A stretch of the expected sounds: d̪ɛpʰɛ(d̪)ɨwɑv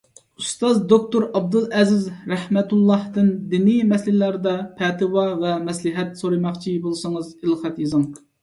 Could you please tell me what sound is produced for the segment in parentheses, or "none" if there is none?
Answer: t̪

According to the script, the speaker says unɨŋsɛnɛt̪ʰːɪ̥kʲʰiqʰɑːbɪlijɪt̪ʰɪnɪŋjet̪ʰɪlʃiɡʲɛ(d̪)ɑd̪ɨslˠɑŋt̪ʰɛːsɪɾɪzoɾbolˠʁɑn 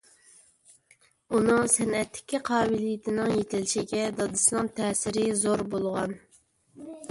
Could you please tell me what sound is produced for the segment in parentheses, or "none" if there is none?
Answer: d̪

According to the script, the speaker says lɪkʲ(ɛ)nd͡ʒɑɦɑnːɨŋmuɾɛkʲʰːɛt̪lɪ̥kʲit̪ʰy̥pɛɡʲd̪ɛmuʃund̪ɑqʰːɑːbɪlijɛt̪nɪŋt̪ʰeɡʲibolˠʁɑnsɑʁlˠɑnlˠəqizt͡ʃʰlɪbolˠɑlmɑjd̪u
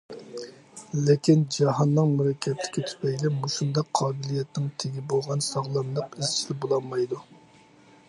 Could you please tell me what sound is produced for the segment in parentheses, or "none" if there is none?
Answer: i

